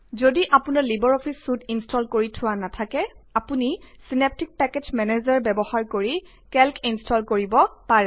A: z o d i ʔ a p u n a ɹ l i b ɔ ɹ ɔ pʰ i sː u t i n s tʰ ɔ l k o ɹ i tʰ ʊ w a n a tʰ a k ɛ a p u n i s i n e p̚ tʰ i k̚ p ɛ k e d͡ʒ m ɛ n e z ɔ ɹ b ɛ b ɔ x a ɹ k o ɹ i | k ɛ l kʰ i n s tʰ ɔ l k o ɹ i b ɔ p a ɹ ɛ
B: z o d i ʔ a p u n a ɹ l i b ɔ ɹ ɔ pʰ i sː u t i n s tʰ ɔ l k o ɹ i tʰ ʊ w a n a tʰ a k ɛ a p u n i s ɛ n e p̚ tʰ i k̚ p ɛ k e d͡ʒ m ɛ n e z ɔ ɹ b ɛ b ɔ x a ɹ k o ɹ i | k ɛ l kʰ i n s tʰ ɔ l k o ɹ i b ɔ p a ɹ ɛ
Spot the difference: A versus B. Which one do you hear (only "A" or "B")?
A